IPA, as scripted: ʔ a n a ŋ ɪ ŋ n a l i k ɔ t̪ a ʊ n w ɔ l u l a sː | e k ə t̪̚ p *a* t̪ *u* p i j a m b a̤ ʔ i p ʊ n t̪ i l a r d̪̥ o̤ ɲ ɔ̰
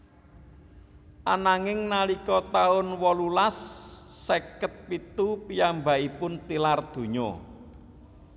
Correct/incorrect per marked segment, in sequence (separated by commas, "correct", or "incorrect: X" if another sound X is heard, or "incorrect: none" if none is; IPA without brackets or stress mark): incorrect: i, correct